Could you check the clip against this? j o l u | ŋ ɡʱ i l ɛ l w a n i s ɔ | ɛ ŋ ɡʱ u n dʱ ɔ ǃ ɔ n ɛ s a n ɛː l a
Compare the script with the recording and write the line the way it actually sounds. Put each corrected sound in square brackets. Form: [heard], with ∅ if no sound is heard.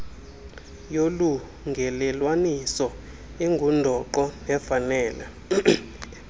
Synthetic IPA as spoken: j o l u | ŋ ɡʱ [ɛ] l ɛ l w a n i s ɔ | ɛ ŋ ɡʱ u n dʱ ɔ ǃ ɔ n ɛ [f] a n ɛː l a